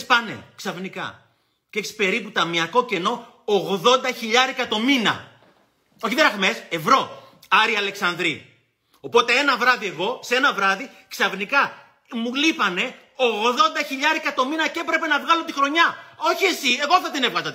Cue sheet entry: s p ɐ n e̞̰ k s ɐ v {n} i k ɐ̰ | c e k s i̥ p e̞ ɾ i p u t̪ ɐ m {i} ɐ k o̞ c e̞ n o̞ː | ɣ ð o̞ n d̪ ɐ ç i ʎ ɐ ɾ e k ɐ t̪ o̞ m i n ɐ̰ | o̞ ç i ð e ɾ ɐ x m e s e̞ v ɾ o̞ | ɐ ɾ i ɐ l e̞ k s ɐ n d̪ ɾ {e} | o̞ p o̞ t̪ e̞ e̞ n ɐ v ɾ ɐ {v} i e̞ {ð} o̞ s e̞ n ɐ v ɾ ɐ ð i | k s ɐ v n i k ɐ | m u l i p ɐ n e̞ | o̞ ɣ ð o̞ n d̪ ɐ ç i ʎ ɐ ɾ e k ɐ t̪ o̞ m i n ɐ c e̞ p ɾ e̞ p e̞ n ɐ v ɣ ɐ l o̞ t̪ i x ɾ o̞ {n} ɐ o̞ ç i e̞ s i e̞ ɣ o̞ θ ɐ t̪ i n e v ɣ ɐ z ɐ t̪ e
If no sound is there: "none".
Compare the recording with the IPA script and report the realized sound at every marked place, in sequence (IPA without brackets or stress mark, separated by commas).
n, i, i, ð, ɣ, ɲ